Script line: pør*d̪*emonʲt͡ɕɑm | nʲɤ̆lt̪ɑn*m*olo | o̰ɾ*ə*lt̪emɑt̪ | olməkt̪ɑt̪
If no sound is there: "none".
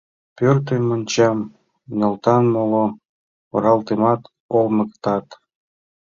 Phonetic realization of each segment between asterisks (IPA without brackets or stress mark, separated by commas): t̪, m, ɑ